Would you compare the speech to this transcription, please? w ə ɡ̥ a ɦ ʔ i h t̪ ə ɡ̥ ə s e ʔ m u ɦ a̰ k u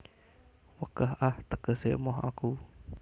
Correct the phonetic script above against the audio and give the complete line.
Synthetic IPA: w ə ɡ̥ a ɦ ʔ a h t̪ ə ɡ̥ ə s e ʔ m ɔ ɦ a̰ k u